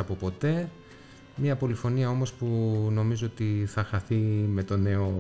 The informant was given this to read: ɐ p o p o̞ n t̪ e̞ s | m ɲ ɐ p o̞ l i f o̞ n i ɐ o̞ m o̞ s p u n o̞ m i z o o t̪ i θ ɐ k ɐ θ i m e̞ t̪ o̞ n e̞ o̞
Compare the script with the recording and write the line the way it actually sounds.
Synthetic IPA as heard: ɐ p o p o̞ t̪ e̞ | m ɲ ɐ p o̞ l i f o̞ n i ɐ o̞ m o̞ s p u n o̞ m i z o o t̪ i θ ɐ x ɐ θ i m e̞ t̪ o̞ n e̞ o̞